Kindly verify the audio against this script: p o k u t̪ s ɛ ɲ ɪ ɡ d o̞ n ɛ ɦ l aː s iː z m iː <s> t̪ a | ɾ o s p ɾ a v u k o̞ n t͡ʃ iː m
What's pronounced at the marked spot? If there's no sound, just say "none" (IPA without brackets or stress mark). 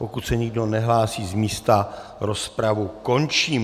s